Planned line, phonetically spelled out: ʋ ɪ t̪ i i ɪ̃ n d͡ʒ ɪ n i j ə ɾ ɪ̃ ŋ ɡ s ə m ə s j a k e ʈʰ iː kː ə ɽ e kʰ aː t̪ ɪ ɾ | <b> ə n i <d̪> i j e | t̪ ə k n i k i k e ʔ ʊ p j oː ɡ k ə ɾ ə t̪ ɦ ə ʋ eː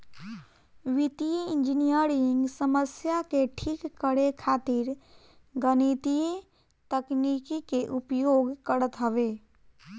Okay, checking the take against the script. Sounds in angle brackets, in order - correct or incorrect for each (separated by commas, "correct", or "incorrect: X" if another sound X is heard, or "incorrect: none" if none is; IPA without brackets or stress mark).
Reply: incorrect: ɡ, incorrect: t̪